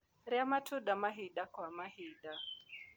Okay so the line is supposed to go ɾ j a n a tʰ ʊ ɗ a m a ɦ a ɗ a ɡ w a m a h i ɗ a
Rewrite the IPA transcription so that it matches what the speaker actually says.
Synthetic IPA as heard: ɾ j a m a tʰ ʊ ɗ a m a ɦ i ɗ a k w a m a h i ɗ a